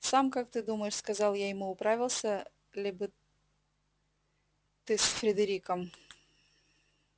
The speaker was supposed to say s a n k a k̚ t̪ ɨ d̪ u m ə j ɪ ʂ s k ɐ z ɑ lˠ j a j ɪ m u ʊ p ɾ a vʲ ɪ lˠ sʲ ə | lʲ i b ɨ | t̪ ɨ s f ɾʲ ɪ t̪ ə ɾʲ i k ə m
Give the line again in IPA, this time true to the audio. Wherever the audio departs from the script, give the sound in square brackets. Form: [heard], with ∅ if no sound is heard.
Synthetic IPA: s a [m] k a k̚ t̪ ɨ d̪ u m ə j ɪ ʂ s k ɐ z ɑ lˠ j a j ɪ m u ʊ p ɾ a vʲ ɪ lˠ sʲ ə | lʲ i b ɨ | t̪ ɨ s f ɾʲ ɪ [d̪] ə ɾʲ i k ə m

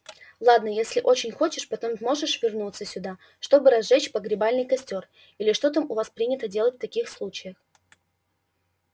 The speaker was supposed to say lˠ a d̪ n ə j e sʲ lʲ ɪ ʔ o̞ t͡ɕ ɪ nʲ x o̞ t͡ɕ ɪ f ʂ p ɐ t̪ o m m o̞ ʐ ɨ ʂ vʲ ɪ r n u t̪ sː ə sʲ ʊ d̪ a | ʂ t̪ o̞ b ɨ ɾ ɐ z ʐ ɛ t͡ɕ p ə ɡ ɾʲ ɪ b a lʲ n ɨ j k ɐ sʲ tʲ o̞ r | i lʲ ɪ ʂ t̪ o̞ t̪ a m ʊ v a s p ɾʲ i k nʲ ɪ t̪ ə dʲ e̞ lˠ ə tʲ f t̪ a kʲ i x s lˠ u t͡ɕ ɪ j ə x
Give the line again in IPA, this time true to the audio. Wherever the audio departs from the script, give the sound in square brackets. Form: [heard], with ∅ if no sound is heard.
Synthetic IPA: lˠ a d̪ n ə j e sʲ lʲ ɪ ʔ o̞ t͡ɕ ɪ nʲ x o̞ t͡ɕ ɪ [∅] ʂ p ɐ t̪ o m m o̞ ʐ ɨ ʂ vʲ ɪ r n u t̪ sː ə sʲ ʊ d̪ a | ʂ t̪ o̞ b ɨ ɾ ɐ z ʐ ɛ t͡ɕ p ə ɡ ɾʲ ɪ b a lʲ n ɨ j k ɐ sʲ tʲ o̞ r | i lʲ ɪ ʂ t̪ o̞ t̪ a m ʊ v a s p ɾʲ i [∅] nʲ ɪ t̪ ə dʲ e̞ lˠ ə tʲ f t̪ [ɐ] kʲ i x s lˠ u t͡ɕ ɪ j ə x

